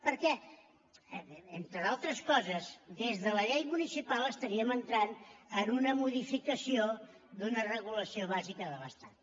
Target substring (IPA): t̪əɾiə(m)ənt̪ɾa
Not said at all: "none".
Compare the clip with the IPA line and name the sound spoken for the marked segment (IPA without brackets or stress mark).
m